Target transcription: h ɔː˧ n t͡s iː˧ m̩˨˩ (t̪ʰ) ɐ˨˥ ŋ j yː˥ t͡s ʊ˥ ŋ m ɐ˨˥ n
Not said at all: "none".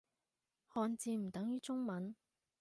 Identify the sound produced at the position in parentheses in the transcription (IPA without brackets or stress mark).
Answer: t̪